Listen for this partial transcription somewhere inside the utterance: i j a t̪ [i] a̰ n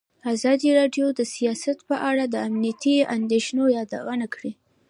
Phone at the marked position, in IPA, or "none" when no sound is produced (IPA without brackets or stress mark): i